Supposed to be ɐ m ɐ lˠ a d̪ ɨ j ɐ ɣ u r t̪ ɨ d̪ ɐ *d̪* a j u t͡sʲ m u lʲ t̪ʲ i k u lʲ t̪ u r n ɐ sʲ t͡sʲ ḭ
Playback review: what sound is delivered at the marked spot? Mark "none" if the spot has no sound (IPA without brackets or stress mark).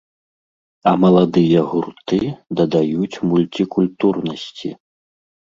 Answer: d̪